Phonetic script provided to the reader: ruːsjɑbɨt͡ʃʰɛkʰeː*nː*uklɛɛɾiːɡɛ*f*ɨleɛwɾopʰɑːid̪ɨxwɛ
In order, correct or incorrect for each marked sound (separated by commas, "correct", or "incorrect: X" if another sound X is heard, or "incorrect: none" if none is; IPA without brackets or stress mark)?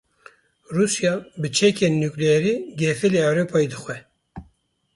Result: correct, correct